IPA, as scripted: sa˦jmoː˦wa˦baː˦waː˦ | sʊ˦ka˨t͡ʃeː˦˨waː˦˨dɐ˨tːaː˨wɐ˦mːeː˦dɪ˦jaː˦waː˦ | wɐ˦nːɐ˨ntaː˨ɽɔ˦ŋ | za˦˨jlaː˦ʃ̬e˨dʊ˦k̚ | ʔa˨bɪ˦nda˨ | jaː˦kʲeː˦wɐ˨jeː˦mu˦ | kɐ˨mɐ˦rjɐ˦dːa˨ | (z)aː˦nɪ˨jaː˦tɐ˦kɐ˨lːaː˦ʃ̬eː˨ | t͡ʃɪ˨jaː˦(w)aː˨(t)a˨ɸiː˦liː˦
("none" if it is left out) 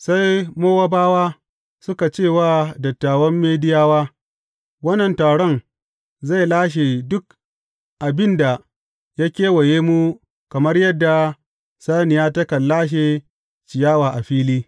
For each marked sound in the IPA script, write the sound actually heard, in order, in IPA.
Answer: s, w, ʔ

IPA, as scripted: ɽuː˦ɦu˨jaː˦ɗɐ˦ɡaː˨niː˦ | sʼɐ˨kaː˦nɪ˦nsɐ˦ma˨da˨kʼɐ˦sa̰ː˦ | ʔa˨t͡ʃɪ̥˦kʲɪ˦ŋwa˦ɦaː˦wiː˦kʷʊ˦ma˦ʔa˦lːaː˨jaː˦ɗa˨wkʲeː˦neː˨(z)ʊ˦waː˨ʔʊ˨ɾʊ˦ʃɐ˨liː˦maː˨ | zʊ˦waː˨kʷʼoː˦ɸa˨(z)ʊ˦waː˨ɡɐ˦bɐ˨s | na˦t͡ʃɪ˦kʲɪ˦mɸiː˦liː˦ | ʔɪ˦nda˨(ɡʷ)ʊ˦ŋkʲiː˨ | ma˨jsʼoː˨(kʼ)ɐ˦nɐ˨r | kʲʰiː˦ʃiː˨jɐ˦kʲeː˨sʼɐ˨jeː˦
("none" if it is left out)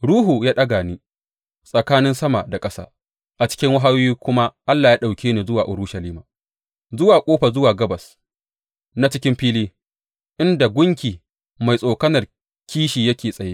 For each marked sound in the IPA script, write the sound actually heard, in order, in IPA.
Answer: z, z, ɡʷ, k

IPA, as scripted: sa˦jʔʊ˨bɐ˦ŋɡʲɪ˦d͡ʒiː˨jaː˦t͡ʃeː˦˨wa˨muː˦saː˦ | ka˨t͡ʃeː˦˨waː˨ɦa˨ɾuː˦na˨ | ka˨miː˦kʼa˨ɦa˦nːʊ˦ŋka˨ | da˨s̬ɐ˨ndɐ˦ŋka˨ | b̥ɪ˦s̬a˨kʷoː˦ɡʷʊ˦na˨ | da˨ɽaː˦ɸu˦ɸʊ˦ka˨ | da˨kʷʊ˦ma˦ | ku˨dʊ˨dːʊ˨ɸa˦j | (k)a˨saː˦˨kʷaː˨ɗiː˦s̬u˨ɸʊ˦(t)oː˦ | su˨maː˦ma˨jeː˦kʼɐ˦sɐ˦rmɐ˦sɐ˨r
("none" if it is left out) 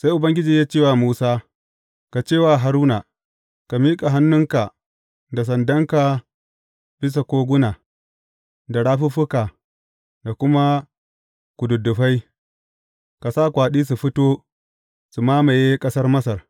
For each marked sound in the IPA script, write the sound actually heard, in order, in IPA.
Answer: k, t

